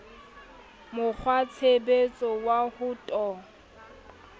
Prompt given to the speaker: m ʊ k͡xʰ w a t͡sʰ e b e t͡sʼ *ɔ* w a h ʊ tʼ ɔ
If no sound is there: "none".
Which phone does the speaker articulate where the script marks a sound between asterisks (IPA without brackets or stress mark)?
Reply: ɔ